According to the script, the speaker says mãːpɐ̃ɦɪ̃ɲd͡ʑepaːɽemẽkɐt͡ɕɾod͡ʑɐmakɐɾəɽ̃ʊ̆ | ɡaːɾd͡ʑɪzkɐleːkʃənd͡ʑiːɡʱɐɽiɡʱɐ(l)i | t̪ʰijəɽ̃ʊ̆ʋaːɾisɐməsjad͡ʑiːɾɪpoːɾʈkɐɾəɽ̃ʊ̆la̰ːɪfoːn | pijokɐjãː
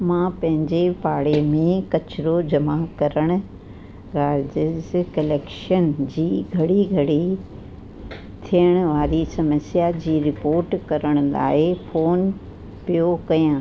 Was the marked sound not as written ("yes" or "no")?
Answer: yes